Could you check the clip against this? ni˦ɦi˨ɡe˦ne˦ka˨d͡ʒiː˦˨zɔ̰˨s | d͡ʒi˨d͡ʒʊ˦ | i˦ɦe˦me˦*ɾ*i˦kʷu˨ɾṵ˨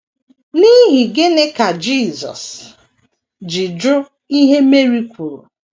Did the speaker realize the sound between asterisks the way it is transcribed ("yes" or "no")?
yes